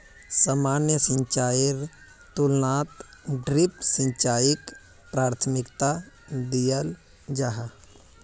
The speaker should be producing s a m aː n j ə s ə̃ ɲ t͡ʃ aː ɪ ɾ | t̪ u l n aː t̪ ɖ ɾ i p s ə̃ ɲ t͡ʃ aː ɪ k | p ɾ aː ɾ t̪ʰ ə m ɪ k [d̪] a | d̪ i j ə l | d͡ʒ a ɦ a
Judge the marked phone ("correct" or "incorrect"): incorrect